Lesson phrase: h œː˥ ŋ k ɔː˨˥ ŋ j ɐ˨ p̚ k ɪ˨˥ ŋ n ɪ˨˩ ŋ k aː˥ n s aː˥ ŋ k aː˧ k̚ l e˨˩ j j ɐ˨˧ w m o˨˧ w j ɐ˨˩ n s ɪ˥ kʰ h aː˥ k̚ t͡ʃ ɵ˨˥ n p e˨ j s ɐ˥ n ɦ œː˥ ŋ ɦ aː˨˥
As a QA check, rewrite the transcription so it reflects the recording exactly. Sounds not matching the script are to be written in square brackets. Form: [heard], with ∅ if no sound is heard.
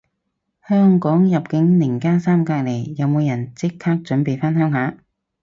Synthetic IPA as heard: h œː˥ ŋ k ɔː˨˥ ŋ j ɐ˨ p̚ k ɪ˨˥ ŋ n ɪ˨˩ ŋ k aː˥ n s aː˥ [m] k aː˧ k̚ l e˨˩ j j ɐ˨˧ w m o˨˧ w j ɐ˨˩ n [t͡s] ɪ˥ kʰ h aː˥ k̚ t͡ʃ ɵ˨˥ n p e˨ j [f] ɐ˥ n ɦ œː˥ ŋ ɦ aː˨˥